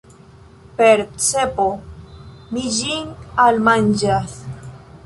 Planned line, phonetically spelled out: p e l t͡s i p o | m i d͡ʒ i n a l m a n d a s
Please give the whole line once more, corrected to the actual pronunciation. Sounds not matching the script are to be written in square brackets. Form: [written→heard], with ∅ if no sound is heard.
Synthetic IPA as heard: p e [l→ɾ] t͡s [i→e] p o | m i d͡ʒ i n a l m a n [d→d͡ʒ] a s